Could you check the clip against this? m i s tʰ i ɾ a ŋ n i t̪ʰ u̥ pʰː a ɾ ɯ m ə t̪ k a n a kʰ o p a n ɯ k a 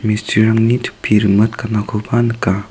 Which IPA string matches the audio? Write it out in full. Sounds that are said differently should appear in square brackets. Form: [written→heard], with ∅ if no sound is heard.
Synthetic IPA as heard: m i s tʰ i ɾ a ŋ n i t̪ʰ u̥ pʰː [a→i] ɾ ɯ m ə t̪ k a n a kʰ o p a n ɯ k a